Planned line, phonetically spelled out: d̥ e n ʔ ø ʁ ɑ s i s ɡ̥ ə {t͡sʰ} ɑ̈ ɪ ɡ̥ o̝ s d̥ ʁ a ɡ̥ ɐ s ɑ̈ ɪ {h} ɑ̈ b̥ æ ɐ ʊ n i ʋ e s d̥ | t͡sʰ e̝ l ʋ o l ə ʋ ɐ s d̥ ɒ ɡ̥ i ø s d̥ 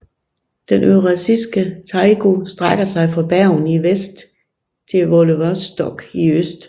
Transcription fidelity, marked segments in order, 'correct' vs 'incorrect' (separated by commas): correct, incorrect